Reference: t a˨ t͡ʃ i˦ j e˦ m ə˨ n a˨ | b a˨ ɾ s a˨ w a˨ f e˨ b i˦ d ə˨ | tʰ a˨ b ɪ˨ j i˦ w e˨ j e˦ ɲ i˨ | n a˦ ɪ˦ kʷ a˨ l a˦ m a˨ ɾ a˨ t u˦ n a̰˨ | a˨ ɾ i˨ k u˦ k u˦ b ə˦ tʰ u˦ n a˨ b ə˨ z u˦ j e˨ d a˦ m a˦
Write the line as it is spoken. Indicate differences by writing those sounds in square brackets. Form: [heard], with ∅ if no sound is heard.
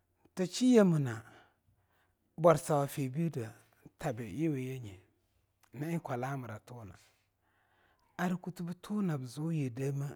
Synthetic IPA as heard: t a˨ t͡ʃ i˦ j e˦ m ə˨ n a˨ | b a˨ ɾ s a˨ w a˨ f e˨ b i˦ d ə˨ | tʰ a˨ b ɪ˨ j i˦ w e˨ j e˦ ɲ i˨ | n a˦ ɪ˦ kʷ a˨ l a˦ m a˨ ɾ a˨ t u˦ n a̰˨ | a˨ ɾ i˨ k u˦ [t] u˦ b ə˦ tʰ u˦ n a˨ b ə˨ z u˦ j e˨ d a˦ m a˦